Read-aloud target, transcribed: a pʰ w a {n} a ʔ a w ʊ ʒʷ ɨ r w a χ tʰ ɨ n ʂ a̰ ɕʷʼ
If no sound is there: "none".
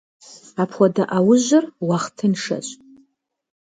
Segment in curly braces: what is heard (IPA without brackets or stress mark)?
d